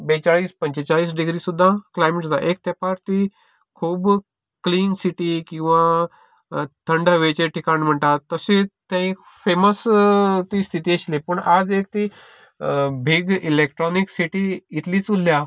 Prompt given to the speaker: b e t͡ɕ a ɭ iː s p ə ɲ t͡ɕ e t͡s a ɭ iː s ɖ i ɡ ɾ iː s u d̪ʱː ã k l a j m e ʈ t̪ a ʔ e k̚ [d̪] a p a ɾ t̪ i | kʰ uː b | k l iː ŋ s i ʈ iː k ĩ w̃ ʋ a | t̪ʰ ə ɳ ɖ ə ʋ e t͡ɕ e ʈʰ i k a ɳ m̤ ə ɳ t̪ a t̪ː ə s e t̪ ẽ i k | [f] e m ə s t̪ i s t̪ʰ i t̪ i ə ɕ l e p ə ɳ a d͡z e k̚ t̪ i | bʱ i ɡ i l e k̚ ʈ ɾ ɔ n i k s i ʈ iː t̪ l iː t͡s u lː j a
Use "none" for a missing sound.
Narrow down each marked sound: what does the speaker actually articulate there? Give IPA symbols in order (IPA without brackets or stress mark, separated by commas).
t̪, f